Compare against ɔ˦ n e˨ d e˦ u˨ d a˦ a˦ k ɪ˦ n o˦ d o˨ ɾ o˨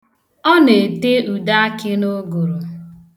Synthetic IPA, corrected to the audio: ɔ˦ n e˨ t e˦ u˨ d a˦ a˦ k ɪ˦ n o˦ ɡ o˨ ɾ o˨